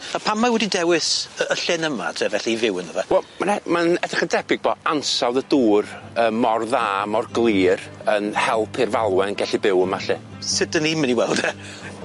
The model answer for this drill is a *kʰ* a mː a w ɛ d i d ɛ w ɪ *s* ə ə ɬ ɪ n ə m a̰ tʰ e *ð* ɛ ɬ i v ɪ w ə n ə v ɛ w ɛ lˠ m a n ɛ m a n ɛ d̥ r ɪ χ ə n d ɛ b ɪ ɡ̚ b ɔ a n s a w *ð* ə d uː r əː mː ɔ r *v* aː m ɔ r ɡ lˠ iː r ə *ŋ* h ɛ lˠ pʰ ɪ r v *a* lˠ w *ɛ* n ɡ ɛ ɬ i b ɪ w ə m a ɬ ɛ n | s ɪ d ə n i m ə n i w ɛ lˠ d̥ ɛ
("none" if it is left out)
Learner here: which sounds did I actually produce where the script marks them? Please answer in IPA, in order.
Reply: pʰ, s, v, ð, ð, n, a, ɛ

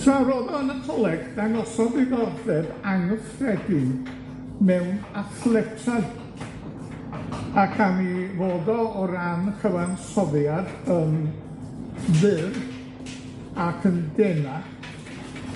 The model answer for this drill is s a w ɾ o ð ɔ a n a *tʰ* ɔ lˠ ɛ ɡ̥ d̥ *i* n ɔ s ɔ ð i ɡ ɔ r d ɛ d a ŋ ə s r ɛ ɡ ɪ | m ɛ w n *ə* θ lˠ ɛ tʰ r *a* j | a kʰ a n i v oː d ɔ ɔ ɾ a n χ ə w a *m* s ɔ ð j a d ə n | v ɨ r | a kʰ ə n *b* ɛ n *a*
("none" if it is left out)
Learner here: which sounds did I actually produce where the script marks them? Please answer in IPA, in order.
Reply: tʰ, a, a, a, n, d, a

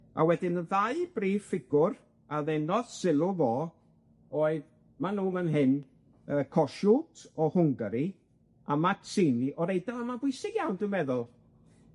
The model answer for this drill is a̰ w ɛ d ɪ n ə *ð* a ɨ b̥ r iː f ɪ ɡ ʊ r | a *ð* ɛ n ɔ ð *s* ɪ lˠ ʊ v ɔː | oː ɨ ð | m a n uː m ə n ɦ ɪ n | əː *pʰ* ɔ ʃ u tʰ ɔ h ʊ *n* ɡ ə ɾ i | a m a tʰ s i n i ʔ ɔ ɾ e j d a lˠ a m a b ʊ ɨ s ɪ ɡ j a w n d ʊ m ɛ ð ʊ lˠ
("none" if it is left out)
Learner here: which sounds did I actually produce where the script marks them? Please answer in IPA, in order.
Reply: ð, ð, s, kʰ, ŋ

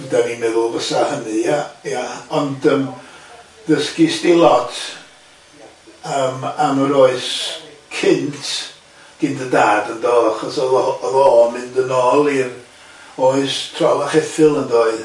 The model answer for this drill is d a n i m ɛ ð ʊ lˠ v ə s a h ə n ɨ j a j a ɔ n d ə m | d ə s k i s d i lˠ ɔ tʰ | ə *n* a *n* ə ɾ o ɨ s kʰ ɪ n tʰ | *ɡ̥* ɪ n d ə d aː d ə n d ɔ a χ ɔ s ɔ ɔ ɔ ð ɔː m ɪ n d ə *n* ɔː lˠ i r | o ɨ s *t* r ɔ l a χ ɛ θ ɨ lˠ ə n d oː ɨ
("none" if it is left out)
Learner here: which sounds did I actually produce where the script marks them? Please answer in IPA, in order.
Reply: m, m, ɡ̥, n, tʰ

